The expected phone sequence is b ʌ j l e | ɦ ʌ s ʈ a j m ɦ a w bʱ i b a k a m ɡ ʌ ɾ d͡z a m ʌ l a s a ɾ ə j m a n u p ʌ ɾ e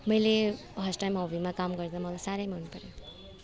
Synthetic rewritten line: m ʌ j l e | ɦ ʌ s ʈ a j m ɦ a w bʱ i m a k a m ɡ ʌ ɾ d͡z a m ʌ l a s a ɾ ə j m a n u p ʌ ɾ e